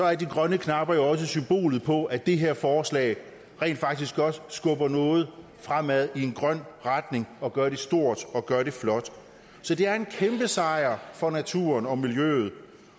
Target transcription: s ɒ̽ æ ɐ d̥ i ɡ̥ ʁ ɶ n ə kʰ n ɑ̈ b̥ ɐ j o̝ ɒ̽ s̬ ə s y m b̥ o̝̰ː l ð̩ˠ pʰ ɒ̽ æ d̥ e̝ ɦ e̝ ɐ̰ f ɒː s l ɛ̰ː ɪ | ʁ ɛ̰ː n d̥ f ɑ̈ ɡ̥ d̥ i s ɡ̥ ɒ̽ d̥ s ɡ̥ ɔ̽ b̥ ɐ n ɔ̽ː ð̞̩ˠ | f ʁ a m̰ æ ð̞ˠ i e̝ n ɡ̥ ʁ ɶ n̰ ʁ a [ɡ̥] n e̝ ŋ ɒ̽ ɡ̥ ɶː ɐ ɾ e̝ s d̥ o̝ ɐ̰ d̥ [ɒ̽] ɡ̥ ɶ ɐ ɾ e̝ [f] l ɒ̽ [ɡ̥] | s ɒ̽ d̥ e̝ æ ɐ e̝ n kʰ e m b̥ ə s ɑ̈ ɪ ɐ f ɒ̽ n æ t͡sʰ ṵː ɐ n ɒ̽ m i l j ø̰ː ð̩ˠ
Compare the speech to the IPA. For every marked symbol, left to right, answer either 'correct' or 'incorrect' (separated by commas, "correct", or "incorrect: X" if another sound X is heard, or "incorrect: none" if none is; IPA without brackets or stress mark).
incorrect: d̥, correct, correct, incorrect: d̥